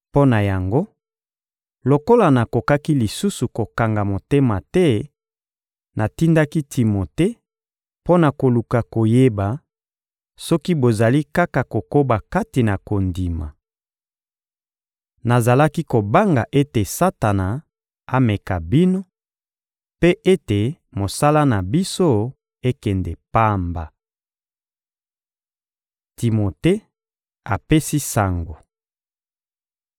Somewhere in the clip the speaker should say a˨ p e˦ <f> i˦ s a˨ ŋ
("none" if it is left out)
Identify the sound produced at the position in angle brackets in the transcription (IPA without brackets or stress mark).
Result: s